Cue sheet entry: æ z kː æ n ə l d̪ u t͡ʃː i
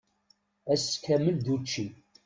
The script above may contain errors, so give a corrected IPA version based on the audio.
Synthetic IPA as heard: æ s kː æ m ə l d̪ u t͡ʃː i